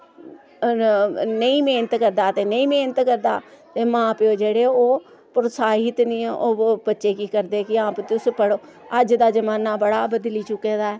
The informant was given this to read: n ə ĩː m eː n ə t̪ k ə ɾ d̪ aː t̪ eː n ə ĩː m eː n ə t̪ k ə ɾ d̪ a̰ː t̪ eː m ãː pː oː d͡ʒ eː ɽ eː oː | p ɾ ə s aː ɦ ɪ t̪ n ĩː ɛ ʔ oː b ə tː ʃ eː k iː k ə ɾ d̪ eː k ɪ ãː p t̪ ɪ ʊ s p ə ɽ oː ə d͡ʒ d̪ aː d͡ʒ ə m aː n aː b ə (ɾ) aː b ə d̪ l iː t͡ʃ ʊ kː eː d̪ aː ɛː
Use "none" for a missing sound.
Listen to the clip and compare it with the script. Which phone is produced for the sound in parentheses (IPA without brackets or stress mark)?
ɽ